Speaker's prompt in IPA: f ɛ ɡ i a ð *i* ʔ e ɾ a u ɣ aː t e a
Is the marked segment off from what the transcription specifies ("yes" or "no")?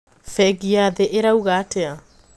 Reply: yes